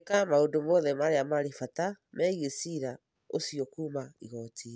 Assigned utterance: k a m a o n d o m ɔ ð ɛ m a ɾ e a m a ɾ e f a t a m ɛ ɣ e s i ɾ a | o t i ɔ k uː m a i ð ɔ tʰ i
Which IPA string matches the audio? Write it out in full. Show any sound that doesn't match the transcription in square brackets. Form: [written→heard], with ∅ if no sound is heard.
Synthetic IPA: k a m a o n d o m ɔ ð ɛ m a ɾ e a m a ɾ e f a t a m ɛ ɣ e s i ɾ a | o [t→s] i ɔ k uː m a i [ð→ɣ] ɔ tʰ i